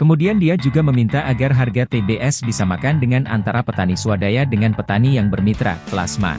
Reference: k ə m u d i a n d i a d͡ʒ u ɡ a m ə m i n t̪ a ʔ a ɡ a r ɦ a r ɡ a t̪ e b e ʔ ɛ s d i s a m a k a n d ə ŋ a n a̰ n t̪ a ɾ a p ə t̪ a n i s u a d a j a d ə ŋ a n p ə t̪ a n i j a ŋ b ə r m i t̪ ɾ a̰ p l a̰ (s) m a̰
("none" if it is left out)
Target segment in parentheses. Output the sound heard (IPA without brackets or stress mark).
s